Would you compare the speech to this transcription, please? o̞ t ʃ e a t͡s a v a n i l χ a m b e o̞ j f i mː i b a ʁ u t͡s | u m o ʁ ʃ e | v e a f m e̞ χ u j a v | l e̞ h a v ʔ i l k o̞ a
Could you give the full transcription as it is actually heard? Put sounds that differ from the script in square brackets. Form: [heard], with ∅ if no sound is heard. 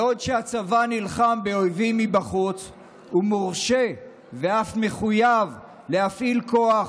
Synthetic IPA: o̞ [d] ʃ e a t͡s a v a n i l χ a m b e o̞ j [v] i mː i b a [χ] u t͡s | u m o ʁ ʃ e | v e a f m e̞ χ u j a v | l e̞ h a [f] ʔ i l k o̞ a